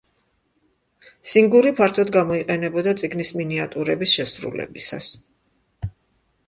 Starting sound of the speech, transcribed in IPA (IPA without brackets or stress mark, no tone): s